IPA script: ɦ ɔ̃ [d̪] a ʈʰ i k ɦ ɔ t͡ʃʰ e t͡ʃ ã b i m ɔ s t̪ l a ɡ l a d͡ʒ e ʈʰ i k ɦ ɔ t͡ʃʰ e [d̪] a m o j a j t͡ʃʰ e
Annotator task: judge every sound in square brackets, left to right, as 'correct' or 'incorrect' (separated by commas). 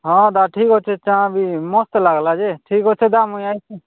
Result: correct, correct